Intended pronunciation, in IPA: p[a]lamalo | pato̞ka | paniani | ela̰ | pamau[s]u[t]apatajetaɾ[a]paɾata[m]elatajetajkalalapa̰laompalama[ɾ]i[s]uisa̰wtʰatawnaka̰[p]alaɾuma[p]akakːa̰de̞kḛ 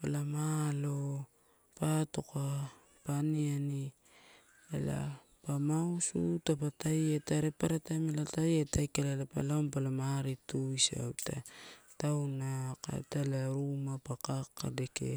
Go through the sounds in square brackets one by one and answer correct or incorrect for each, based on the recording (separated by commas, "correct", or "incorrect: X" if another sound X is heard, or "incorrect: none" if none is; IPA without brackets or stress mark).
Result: correct, correct, correct, incorrect: e, correct, correct, incorrect: t, incorrect: t, correct